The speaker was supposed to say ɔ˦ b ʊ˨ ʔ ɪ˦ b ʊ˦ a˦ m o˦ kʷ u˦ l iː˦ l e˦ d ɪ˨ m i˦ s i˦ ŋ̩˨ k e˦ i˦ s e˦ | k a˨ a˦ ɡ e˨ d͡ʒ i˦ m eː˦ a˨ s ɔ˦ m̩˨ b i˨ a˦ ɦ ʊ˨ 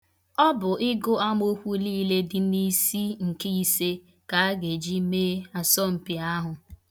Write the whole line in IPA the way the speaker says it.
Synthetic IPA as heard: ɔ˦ b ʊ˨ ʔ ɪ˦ ɡ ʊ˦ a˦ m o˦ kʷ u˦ l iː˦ l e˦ d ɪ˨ n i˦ s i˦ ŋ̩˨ k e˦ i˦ s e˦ | k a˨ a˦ ɡ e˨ d͡ʒ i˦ m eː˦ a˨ s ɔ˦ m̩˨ p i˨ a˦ ɦ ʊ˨